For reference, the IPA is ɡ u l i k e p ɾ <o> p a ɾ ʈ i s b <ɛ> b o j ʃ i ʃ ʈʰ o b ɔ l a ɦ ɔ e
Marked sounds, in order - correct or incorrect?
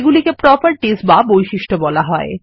incorrect, incorrect

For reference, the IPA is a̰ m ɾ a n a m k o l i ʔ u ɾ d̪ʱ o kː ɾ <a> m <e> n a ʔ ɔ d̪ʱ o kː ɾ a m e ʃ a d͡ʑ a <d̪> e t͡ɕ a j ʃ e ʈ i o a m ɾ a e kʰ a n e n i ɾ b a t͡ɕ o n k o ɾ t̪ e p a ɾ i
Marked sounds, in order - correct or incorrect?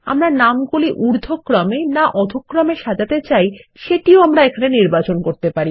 correct, correct, incorrect

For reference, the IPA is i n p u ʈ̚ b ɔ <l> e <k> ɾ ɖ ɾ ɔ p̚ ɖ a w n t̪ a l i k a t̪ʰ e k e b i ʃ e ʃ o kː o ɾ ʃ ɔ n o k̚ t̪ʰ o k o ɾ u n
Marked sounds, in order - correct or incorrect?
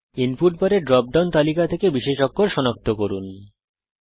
incorrect, incorrect

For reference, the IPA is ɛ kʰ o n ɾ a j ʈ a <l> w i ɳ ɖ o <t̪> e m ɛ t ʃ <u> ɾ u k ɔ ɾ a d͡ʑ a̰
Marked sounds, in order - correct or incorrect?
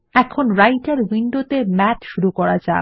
incorrect, correct, correct

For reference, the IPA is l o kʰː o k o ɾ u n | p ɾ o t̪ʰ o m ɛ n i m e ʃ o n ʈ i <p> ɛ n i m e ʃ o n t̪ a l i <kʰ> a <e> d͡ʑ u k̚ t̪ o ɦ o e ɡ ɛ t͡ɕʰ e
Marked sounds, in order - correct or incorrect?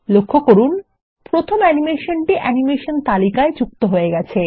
incorrect, incorrect, correct

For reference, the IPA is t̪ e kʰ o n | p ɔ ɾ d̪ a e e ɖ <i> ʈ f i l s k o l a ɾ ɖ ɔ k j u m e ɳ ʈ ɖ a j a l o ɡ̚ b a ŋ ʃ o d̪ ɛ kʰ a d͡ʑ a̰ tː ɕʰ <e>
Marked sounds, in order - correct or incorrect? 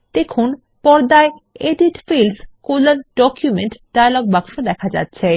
correct, correct

